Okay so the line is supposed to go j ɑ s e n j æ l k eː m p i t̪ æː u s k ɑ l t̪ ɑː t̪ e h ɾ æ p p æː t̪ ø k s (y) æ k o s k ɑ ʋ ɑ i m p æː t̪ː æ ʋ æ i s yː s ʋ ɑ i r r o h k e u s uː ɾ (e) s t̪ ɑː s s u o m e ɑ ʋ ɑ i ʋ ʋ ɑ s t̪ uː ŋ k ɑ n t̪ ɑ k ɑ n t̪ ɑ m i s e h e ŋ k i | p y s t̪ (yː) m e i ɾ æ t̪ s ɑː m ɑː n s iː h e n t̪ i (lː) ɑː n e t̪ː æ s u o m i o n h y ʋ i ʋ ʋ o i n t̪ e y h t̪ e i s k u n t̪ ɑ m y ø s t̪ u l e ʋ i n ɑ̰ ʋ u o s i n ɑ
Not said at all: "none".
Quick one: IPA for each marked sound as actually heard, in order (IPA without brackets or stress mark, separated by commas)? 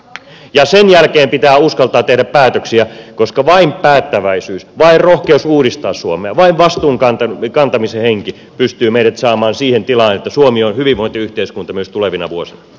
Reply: i, i, yː, l